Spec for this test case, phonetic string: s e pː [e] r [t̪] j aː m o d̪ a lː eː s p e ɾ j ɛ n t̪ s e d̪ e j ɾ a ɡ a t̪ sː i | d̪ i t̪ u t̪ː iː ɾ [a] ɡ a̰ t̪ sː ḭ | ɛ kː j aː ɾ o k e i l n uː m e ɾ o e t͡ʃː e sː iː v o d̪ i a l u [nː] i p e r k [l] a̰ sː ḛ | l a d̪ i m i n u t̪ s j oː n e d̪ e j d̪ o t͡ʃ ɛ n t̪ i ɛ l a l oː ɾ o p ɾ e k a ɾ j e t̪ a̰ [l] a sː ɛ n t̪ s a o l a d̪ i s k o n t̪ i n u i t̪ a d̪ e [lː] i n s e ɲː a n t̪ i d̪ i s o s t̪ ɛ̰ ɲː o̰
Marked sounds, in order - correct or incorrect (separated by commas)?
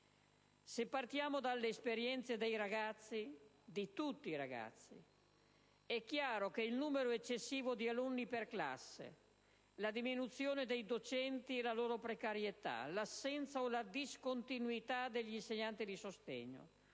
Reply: incorrect, correct, correct, correct, correct, correct, incorrect